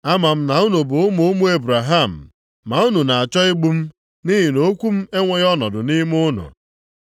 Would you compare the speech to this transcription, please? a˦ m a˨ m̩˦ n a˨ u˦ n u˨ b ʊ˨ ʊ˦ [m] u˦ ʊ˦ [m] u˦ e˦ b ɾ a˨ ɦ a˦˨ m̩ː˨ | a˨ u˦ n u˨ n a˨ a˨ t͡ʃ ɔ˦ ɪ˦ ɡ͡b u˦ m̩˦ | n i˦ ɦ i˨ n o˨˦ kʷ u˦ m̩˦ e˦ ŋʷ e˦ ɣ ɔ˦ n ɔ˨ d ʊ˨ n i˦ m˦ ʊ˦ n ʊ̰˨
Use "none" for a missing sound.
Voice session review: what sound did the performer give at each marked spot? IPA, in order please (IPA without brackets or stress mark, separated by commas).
m, m